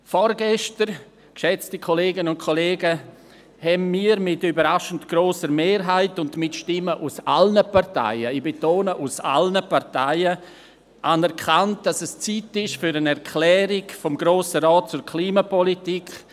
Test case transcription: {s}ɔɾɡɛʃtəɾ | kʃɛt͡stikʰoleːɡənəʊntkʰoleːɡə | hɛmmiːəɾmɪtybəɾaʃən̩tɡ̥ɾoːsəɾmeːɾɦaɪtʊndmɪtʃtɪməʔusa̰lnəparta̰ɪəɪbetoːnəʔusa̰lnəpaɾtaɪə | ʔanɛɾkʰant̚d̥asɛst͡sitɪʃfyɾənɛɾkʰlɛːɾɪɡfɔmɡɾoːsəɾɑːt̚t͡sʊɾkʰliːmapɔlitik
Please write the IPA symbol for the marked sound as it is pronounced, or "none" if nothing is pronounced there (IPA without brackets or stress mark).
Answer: f